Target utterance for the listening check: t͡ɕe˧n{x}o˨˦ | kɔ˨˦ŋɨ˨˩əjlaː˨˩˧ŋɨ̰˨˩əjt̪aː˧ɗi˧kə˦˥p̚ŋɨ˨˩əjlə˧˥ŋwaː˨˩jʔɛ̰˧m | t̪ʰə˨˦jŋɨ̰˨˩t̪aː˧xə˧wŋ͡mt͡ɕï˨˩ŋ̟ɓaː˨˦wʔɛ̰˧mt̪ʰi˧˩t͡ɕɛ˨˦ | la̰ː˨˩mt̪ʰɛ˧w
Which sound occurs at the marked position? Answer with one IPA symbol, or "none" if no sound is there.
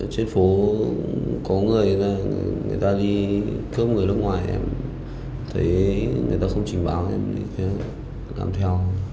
f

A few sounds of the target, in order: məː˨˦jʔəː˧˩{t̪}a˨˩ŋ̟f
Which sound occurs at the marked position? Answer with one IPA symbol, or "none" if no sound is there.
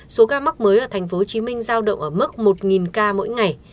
t̪ʰ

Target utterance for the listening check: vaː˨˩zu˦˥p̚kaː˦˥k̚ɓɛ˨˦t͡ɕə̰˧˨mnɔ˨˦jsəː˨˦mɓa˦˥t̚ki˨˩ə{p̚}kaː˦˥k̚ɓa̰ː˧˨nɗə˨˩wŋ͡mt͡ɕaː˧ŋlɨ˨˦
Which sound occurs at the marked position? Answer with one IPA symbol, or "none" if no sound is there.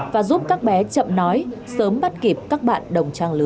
p̚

